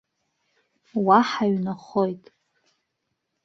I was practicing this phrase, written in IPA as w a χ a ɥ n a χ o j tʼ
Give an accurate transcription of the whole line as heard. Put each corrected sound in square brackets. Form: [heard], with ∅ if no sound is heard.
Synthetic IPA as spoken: w a [ħ] a ɥ n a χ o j tʼ